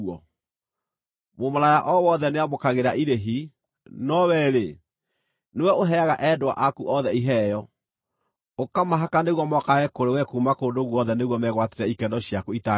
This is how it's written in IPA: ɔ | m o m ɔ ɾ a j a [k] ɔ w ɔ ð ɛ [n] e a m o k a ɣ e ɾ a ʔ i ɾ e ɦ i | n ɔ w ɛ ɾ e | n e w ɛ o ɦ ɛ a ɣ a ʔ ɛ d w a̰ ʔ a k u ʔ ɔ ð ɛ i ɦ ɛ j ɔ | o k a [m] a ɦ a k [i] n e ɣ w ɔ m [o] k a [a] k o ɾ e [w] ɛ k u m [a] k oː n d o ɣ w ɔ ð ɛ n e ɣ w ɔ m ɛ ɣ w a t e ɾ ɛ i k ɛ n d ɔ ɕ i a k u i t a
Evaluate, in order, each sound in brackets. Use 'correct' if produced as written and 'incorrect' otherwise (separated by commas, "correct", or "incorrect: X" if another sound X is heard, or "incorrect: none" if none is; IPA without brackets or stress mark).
incorrect: ʔ, correct, correct, incorrect: a, incorrect: ɔ, incorrect: ɛ, correct, correct